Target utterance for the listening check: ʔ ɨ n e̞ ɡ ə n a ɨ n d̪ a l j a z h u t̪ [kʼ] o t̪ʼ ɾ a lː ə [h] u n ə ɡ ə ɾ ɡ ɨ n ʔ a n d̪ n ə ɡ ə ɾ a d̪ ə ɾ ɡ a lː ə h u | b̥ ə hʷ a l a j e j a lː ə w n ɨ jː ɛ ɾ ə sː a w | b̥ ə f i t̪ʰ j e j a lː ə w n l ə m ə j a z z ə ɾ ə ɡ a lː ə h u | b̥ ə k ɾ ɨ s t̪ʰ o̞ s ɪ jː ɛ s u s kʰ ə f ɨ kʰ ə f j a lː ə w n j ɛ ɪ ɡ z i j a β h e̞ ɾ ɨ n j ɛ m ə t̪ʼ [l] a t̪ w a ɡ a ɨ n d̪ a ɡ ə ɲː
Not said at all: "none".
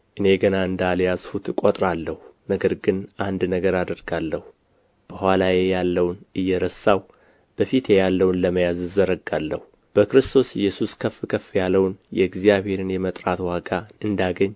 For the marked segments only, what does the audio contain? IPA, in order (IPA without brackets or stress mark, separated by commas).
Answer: kʼ, h, ɾ